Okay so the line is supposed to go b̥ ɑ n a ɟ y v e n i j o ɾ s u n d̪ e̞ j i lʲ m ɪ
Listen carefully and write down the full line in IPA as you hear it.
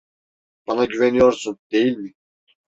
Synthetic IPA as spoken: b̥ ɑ n a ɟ y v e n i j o ɾ s u n d̪ e̞ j i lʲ m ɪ